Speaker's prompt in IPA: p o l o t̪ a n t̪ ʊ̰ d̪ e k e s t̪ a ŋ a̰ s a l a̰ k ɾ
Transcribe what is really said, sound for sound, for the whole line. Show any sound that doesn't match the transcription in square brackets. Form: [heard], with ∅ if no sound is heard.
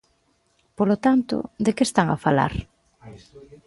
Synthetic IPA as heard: p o l o t̪ a n t̪ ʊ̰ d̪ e k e s t̪ a ŋ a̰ [f] a l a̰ [∅] ɾ